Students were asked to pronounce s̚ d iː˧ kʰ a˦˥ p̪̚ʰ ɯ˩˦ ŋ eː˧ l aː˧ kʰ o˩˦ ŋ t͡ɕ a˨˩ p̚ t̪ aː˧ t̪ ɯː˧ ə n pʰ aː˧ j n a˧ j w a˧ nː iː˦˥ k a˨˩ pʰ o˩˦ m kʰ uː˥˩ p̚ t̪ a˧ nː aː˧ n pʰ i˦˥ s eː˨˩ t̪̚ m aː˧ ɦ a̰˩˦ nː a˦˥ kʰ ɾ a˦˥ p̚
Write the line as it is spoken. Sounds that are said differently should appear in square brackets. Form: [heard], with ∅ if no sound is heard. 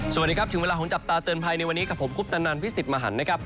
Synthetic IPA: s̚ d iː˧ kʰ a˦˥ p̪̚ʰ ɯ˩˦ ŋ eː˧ l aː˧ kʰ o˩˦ ŋ t͡ɕ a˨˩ p̚ t̪ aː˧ t̪ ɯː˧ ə n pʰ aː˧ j n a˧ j w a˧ nː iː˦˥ k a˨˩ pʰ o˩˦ m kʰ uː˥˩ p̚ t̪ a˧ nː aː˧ n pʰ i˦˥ s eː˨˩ t̪̚ m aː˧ ɦ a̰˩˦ nː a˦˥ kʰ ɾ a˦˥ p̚